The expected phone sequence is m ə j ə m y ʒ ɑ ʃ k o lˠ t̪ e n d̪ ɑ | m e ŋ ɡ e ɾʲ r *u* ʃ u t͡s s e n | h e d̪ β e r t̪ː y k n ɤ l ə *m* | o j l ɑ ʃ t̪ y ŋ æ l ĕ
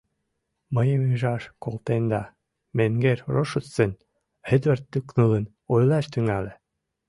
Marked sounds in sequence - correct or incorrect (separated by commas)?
incorrect, incorrect